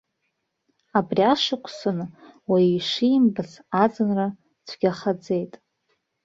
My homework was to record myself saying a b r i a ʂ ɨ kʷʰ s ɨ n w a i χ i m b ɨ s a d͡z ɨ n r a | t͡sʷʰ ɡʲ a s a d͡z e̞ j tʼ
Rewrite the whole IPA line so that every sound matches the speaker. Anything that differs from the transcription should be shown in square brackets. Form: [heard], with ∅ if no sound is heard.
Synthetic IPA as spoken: a b r i a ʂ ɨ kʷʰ s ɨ n w a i [ʂ] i m b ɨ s a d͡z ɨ n r a | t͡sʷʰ ɡʲ a [χ] a d͡z e̞ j tʼ